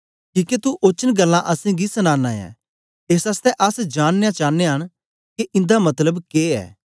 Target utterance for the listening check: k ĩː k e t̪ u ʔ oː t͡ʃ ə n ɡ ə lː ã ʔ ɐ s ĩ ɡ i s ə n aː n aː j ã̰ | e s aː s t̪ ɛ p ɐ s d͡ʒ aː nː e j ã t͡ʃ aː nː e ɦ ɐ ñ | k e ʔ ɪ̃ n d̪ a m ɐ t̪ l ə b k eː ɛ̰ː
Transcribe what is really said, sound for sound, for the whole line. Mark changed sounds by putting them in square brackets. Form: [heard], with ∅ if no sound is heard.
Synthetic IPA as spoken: k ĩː k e t̪ u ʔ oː t͡ʃ ə n ɡ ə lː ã ʔ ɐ s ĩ ɡ i s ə n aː n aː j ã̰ | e s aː s t̪ ɛ [ʔ] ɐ s d͡ʒ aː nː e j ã t͡ʃ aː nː e ɦ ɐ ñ | k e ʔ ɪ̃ n d̪ a m ɐ t̪ l ə b k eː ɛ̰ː

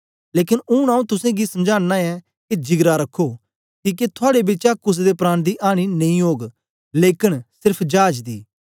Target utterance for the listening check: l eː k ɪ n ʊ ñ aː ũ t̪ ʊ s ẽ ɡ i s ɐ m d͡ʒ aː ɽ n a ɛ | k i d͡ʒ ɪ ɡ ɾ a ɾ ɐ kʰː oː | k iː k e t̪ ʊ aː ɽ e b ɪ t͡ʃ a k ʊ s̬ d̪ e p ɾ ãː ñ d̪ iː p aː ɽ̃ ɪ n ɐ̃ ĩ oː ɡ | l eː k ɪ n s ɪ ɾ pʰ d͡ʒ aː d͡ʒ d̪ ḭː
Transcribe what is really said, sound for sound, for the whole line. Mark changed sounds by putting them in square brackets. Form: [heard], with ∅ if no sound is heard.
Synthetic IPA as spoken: l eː k ɪ n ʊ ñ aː ũ t̪ ʊ s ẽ ɡ i s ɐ m d͡ʒ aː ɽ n a ɛ | k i d͡ʒ ɪ ɡ ɾ a ɾ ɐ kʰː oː | k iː k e [t̪ʰ] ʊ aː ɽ e b ɪ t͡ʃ a k ʊ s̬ d̪ e p ɾ [aː] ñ d̪ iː [ʔ] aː ɽ̃ [i] n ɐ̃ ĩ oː ɡ | l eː k ɪ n s ɪ ɾ pʰ d͡ʒ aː d͡ʒ d̪ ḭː

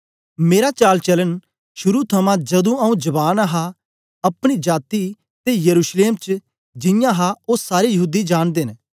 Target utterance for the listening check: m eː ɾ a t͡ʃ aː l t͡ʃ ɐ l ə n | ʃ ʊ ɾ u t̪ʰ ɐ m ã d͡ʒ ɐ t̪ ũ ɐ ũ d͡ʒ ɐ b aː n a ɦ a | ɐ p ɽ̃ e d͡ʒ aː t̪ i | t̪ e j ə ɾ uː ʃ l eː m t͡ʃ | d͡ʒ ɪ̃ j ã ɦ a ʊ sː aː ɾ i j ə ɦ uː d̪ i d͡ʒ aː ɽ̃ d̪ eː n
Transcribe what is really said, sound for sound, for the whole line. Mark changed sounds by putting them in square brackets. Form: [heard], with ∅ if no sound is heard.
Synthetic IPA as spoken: m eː ɾ a t͡ʃ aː l t͡ʃ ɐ l ə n | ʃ ʊ ɾ u t̪ʰ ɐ m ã d͡ʒ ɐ [d̪] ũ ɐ ũ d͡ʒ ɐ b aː n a ɦ a | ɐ p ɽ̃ [i] d͡ʒ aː t̪ i | t̪ e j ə ɾ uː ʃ l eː m t͡ʃ | d͡ʒ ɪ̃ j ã ɦ a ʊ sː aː ɾ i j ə ɦ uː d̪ i d͡ʒ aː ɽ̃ d̪ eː n

